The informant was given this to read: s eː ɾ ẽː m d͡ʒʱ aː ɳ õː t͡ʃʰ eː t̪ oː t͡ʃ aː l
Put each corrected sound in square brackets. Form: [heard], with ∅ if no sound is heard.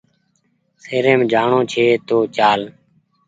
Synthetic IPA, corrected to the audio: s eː ɾ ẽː m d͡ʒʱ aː ɳ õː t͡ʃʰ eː t̪ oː t͡ʃ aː l